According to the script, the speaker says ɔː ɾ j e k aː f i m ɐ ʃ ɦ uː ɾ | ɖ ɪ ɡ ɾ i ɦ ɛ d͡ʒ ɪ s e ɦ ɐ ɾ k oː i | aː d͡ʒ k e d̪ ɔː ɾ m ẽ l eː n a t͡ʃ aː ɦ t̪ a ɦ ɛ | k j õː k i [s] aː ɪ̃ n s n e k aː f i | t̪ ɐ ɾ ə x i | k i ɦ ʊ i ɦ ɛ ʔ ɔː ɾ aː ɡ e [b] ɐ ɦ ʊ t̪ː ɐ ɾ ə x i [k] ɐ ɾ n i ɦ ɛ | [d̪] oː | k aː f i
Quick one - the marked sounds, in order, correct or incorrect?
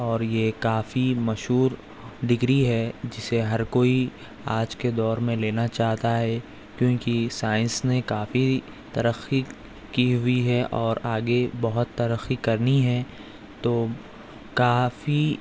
correct, correct, correct, incorrect: t̪

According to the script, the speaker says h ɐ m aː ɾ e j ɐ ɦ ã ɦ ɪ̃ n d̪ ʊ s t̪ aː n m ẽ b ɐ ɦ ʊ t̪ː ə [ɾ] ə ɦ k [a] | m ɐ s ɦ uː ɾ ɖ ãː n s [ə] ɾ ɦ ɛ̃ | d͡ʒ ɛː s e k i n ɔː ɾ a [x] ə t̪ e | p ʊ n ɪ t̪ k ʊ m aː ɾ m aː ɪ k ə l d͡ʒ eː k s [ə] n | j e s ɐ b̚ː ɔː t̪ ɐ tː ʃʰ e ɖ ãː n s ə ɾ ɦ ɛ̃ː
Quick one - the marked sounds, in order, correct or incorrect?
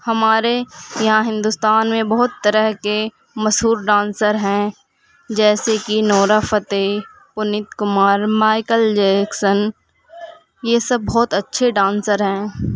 correct, incorrect: e, correct, incorrect: f, correct

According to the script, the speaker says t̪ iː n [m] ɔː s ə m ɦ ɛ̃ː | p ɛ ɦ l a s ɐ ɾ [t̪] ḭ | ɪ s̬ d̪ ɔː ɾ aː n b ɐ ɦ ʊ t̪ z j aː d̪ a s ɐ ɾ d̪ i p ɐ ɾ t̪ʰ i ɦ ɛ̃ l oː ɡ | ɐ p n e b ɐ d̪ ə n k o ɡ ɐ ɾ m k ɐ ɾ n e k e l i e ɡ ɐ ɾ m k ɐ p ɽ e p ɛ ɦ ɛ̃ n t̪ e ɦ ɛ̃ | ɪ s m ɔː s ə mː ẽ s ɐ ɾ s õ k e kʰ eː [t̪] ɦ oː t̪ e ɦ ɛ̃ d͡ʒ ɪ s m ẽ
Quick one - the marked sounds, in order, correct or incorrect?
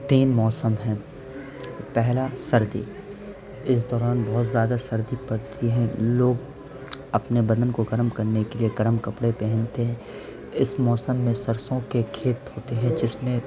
correct, incorrect: d̪, correct

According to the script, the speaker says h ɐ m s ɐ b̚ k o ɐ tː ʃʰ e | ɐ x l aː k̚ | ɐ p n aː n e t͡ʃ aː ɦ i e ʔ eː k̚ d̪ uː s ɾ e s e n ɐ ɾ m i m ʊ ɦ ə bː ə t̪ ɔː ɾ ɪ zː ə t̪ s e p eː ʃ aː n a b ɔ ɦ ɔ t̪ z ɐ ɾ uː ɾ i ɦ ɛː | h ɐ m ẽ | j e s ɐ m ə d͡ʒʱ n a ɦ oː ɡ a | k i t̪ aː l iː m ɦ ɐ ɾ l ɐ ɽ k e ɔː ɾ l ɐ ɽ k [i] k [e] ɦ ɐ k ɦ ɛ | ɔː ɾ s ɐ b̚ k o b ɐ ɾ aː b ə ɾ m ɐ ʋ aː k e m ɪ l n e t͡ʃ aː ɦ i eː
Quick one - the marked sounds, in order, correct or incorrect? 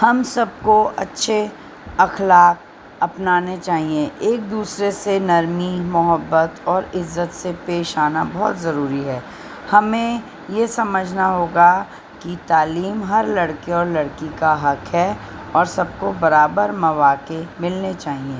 correct, incorrect: a

